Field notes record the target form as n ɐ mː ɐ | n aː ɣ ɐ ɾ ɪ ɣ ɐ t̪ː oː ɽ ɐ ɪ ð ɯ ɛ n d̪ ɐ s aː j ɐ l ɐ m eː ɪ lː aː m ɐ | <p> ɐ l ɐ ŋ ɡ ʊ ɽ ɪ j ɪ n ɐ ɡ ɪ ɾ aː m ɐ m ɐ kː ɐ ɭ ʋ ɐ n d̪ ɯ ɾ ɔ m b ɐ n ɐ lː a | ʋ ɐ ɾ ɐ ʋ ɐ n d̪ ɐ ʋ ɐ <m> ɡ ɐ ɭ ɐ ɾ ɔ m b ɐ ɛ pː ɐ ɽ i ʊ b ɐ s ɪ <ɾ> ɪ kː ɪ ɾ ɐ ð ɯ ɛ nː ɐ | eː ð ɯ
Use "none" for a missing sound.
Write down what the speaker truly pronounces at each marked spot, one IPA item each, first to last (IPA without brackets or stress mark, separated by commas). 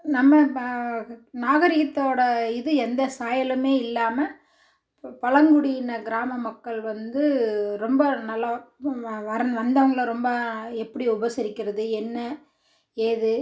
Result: p, ŋ, ɾ